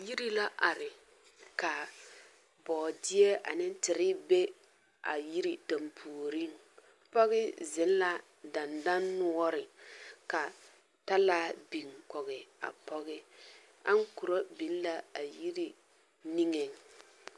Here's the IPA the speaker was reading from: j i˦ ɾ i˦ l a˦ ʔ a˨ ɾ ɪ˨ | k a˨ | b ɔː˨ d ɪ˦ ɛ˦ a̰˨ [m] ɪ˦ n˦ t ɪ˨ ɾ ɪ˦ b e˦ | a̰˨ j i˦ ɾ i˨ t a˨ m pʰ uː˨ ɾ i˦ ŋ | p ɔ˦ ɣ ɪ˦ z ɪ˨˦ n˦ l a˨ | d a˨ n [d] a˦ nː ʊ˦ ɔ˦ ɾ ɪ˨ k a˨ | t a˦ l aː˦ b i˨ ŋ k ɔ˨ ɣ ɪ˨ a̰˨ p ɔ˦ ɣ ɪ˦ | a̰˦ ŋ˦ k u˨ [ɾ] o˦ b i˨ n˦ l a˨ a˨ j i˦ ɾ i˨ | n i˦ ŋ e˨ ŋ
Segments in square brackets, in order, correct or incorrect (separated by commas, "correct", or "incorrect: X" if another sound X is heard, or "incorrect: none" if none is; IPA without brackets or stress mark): incorrect: n, correct, correct